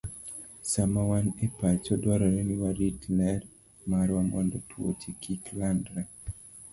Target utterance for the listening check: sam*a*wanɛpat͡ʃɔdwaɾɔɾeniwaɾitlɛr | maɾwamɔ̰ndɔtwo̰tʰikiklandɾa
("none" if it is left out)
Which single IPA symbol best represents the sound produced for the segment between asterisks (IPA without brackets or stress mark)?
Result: a